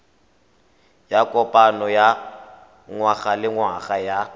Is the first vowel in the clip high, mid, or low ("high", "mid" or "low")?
low